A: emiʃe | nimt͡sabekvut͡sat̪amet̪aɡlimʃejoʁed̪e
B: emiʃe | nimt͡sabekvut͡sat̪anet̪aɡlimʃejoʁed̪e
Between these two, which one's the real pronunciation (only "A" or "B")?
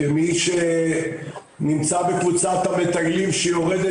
A